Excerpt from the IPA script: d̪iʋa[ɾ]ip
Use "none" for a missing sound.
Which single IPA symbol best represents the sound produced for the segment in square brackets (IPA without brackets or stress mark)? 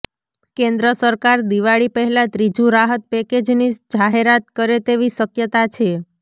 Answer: ɭ